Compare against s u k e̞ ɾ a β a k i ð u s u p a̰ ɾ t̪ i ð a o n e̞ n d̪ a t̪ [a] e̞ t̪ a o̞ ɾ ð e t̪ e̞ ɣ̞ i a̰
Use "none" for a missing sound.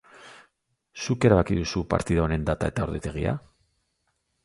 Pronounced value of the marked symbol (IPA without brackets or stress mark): a